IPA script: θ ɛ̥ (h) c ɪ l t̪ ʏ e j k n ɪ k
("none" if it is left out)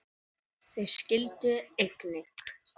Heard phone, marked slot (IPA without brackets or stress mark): s